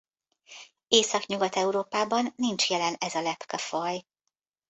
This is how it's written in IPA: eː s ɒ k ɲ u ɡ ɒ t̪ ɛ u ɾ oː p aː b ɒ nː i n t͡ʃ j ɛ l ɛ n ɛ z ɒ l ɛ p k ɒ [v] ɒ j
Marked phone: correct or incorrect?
incorrect